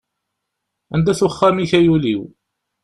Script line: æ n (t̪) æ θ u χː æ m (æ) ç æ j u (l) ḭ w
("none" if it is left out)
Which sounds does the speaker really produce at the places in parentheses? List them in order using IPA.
d̪, i, l

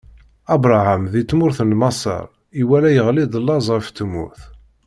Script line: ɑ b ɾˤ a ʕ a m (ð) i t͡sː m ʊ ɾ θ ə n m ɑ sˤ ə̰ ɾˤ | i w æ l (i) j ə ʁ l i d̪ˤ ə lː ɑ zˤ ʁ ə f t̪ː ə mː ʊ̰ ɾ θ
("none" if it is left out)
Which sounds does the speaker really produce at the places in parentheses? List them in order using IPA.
ð, æ

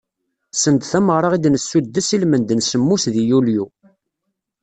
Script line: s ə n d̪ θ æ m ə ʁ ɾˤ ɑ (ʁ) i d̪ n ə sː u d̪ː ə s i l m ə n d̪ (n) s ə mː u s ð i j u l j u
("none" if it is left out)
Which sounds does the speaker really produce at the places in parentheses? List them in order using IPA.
ʁ, n

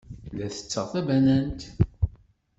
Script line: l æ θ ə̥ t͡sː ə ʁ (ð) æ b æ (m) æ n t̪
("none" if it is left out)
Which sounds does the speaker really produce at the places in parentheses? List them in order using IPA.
θ, n

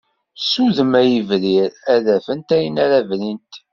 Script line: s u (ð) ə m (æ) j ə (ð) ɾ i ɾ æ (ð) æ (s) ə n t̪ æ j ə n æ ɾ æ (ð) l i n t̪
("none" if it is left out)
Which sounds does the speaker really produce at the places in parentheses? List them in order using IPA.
ð, æ, v, ð, f, v

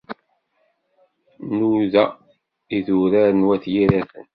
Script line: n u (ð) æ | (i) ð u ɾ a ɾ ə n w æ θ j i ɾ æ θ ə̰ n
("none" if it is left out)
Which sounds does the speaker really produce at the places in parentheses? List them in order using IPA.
ð, i

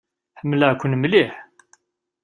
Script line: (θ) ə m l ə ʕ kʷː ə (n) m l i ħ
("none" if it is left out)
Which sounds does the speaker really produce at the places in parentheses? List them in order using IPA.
ħ, n

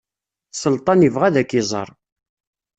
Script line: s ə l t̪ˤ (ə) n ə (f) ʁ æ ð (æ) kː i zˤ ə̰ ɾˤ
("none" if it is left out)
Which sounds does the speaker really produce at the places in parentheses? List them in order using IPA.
ɑ, v, æ

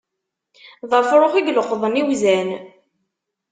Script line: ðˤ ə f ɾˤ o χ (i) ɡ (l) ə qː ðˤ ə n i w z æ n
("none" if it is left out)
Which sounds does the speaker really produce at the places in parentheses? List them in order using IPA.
i, l

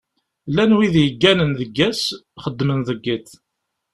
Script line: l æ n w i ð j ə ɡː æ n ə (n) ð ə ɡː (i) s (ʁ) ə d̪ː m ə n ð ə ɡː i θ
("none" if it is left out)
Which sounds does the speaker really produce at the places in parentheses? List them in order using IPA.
n, æ, χ

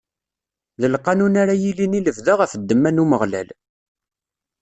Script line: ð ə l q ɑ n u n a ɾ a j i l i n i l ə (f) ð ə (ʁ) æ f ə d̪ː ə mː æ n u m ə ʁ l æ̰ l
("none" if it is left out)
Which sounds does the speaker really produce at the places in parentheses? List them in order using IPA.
v, ʁ

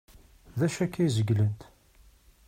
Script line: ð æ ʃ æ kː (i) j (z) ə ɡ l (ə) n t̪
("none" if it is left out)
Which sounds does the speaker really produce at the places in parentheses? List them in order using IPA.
æ, z, ə

